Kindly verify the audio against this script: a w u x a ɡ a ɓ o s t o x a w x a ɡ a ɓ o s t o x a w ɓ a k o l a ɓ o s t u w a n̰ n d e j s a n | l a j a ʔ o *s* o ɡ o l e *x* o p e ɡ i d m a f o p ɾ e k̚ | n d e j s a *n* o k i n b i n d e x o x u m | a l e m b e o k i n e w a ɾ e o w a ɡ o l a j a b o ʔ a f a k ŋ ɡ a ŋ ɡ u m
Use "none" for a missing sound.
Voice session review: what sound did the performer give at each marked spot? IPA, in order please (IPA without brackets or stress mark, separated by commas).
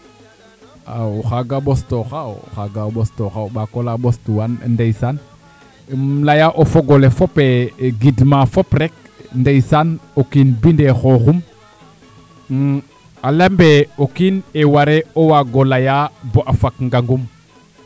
f, f, n